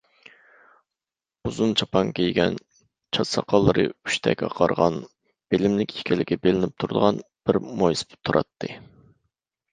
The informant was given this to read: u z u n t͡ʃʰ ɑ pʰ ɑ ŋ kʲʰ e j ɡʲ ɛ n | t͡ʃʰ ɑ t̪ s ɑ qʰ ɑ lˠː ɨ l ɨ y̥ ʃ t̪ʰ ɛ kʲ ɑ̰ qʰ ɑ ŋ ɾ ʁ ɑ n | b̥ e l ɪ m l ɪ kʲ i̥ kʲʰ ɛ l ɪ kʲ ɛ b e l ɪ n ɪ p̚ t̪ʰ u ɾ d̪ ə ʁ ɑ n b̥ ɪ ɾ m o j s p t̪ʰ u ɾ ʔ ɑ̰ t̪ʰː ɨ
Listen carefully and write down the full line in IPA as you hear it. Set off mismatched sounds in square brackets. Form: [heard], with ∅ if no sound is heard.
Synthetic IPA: u z u n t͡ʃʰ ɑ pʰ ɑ ŋ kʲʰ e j ɡʲ ɛ n | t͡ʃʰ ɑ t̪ s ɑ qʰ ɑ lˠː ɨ [ɾ] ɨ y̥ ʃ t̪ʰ ɛ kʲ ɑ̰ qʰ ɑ [∅] ɾ ʁ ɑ n | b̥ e l ɪ m l ɪ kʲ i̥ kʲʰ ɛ l ɪ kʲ ɛ b e l ɪ n ɪ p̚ t̪ʰ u ɾ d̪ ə ʁ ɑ n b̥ ɪ ɾ m o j s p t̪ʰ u ɾ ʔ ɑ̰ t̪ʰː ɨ